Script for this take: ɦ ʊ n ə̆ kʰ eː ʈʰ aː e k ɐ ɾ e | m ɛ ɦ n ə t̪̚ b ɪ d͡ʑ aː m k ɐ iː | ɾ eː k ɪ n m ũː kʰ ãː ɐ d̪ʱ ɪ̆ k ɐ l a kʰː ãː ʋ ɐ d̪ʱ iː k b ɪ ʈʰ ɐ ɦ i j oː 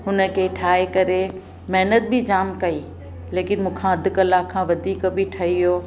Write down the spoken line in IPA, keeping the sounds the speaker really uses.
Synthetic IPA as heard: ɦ ʊ n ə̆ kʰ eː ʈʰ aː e k ɐ ɾ e | m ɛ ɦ n ə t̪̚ b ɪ d͡ʑ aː m k ɐ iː | l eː k ɪ n m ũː kʰ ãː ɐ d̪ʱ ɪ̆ k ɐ l a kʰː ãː ʋ ɐ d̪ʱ iː k b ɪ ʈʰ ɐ ɦ i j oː